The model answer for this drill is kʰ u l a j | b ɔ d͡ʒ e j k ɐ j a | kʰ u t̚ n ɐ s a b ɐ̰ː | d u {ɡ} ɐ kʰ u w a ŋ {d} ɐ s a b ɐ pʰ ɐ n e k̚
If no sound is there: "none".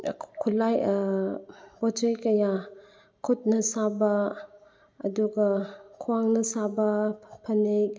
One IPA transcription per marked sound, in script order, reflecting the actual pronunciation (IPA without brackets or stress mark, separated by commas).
ɡ, n